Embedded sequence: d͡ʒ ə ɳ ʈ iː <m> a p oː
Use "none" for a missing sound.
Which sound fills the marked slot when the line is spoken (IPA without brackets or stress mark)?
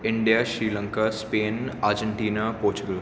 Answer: n